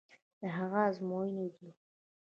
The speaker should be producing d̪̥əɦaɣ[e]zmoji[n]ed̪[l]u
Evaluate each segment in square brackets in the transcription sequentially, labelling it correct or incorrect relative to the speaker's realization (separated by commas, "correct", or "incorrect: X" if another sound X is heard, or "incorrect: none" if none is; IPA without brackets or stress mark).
incorrect: a, correct, correct